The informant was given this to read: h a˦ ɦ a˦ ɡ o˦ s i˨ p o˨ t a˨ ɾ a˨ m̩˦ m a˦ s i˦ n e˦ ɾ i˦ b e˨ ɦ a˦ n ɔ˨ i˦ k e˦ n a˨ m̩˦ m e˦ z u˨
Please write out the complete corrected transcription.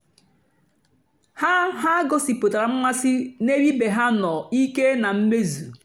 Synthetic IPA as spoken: h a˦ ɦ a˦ ɡ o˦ s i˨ p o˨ t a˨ ɾ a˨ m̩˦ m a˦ s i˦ n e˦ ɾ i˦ b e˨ ɦ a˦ n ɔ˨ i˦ k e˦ n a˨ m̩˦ m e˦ z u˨